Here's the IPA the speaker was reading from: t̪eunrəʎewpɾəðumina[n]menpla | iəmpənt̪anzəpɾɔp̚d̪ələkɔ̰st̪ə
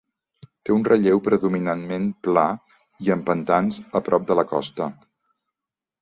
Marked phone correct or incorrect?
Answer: correct